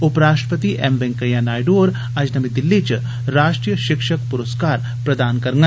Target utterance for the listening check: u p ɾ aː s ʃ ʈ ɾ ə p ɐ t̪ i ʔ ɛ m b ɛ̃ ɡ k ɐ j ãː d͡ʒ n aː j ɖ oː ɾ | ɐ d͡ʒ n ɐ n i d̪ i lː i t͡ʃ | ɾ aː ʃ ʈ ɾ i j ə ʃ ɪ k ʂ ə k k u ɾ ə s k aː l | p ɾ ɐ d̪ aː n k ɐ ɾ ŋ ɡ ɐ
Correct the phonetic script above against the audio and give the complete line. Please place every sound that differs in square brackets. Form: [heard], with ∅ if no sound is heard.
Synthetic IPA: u p ɾ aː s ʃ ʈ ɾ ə p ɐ t̪ i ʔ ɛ m b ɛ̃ [ŋ] k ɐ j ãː [∅] n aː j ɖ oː ɾ | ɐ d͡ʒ n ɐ [m] i d̪ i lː i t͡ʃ | ɾ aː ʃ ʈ ɾ i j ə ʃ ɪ k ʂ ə k [p] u ɾ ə s k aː [ɾ] | p ɾ ɐ d̪ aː n k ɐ ɾ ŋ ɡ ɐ